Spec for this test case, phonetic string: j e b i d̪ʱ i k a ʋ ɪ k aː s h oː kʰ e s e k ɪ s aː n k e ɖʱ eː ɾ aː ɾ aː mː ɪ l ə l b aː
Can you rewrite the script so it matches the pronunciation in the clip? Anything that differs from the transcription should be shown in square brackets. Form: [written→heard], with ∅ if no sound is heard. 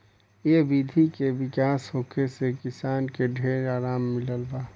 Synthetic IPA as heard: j e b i d̪ʱ i k [a→e] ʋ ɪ k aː s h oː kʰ e s e k ɪ s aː n k e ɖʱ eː ɾ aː ɾ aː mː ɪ l ə l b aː